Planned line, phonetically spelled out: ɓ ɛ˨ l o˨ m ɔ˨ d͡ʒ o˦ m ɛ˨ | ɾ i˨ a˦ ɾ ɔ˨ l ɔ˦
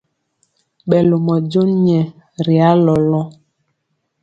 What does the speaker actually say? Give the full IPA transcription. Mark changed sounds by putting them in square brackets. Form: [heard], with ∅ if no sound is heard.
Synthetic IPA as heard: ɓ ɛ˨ l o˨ m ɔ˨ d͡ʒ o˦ [ɲ] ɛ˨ | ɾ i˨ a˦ [l] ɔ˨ l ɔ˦